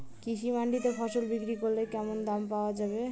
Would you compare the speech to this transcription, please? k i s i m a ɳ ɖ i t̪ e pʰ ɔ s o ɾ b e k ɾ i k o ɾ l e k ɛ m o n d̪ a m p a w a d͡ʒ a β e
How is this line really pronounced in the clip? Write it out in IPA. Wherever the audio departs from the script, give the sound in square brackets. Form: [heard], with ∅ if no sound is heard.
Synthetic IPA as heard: k i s i m a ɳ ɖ i t̪ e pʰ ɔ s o [l] b [i] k ɾ i k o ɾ l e k ɛ m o n d̪ a m p a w a d͡ʒ a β e